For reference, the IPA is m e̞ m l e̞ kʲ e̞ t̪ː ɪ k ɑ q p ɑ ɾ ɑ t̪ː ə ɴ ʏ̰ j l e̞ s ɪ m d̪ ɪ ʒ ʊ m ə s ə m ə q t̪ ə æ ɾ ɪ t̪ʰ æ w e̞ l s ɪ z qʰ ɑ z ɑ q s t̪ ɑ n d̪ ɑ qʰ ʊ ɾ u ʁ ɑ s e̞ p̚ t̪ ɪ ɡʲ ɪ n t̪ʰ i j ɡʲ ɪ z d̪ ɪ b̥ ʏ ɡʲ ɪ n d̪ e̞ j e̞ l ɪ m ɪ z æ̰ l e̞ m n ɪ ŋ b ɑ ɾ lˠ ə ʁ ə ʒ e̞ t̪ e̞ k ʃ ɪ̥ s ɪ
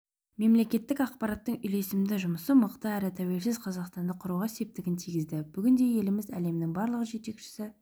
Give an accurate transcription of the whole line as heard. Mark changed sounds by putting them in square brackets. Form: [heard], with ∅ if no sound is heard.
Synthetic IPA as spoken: m e̞ m l e̞ kʲ e̞ t̪ː ɪ k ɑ q p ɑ ɾ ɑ t̪ː ə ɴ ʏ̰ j l e̞ s ɪ m d̪ ɪ ʒ ʊ m ə s ə m ə q t̪ ə æ ɾ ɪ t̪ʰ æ w e̞ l s ɪ z qʰ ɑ z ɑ q s t̪ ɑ n d̪ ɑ qʰ ʊ ɾ u ʁ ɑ s e̞ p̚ t̪ ɪ ɡʲ ɪ n t̪ʰ i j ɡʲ ɪ z d̪ ɪ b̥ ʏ ɡʲ ɪ n d̪ e̞ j e̞ l ɪ m ɪ z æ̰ l e̞ m n ɪ ŋ b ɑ ɾ lˠ ə ʁ ə ʒ e̞ t̪ e̞ k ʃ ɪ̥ s ɪ